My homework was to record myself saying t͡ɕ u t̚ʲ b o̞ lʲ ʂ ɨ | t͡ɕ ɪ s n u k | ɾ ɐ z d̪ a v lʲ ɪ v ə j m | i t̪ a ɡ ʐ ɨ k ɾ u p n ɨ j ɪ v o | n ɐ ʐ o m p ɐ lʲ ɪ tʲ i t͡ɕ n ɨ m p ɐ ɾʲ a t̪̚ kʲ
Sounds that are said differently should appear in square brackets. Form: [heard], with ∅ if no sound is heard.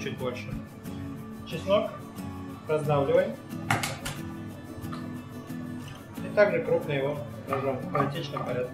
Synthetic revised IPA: t͡ɕ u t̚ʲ b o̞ lʲ ʂ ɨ | t͡ɕ ɪ s n [o] k | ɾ ɐ z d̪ a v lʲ ɪ v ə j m | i t̪ a ɡ ʐ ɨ k ɾ u p n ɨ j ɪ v o | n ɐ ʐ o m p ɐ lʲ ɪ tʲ i t͡ɕ n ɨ m p ɐ ɾʲ a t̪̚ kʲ

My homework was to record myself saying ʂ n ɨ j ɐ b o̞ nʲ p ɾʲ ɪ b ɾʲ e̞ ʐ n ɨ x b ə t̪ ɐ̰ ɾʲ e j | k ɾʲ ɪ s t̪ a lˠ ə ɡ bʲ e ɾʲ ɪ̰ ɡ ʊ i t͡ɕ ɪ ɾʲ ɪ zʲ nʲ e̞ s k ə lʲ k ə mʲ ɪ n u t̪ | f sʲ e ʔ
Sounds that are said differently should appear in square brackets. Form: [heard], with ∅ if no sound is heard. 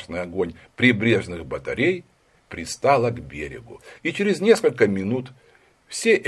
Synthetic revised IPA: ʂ n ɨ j ɐ [ɡ] o̞ nʲ p ɾʲ ɪ b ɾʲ e̞ ʐ n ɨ x b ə t̪ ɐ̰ ɾʲ e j | [p] ɾʲ ɪ s t̪ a lˠ ə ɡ bʲ e ɾʲ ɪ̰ ɡ ʊ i t͡ɕ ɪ ɾʲ ɪ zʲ nʲ e̞ s k ə lʲ k ə mʲ ɪ n u t̪ | f sʲ e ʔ

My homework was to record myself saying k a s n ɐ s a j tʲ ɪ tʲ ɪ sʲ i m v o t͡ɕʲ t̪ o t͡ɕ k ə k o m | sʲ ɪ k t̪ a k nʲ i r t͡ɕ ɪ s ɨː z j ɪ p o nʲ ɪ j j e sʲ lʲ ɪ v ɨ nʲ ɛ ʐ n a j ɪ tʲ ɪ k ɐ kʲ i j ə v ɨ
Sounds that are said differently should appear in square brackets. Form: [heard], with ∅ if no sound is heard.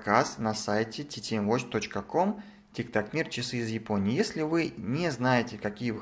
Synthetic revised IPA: k a s n ɐ s a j tʲ ɪ tʲ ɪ [tʲ] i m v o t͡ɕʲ t̪ o t͡ɕ k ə k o m | [tʲ] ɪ k t̪ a k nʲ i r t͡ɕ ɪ s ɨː z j ɪ p o nʲ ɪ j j e sʲ lʲ ɪ v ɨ nʲ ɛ [z] n a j ɪ tʲ ɪ k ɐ kʲ i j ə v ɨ

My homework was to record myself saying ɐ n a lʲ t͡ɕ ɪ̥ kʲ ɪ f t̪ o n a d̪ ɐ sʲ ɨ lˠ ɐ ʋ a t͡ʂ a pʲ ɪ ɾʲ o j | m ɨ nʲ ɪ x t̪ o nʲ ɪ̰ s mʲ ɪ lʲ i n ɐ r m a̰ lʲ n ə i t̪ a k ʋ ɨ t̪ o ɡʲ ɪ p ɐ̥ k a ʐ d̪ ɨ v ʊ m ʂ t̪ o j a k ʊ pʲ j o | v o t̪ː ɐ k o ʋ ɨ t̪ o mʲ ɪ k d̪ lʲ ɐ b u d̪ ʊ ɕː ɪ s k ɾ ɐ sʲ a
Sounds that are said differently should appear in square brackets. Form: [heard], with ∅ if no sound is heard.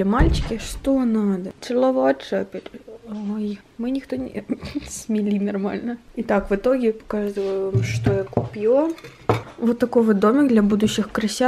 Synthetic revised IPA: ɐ [m] a lʲ t͡ɕ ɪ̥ kʲ ɪ [ʂ] t̪ o n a d̪ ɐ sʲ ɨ lˠ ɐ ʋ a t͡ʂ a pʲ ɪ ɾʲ o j | m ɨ nʲ ɪ x t̪ o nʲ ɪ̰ s mʲ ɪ lʲ i n ɐ r m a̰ lʲ n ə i t̪ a k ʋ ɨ t̪ o ɡʲ ɪ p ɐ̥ k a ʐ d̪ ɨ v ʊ m ʂ t̪ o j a k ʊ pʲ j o | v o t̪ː ɐ k o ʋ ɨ [d̪] o mʲ ɪ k d̪ lʲ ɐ b u d̪ ʊ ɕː ɪ [x] k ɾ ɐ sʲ a

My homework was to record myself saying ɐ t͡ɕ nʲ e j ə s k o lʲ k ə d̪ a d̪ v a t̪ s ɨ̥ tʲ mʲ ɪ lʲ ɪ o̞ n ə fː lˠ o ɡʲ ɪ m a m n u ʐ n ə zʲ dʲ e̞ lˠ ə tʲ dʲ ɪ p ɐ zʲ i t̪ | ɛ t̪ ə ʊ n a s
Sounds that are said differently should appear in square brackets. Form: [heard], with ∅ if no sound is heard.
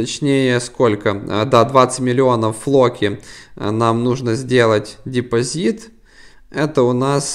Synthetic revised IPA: ɐ t͡ɕ nʲ e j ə s k o lʲ k ə d̪ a d̪ v a t̪ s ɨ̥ tʲ mʲ ɪ lʲ ɪ o̞ n ə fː lˠ o [kʲ] ɪ [n] a m n u ʐ n ə zʲ dʲ e̞ lˠ ə tʲ dʲ ɪ p ɐ zʲ i t̪ | ɛ t̪ ə ʊ n a s

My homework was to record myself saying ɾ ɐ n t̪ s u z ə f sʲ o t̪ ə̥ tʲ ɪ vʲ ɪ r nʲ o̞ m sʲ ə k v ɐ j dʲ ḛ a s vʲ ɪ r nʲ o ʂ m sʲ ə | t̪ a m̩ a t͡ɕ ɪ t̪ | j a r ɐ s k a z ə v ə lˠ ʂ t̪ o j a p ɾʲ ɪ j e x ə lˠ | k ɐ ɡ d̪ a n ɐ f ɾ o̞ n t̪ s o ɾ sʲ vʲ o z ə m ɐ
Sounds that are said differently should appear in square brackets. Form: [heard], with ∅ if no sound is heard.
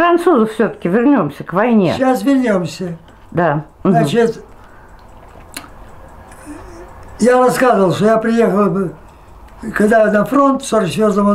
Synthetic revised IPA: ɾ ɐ n t̪ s u z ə f sʲ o t̪ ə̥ [kʲ] ɪ vʲ ɪ r nʲ o̞ m sʲ ə k v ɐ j [nʲ] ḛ a s vʲ ɪ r nʲ o [∅] m sʲ ə | [d̪] a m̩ a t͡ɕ ɪ t̪ | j a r ɐ s k a z ə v ə lˠ ʂ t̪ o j a p ɾʲ ɪ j e x ə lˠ | k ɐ ɡ d̪ a n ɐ f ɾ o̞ n t̪ s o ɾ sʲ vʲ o z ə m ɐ

